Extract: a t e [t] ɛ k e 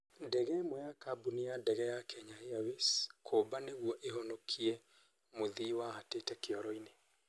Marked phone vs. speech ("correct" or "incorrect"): correct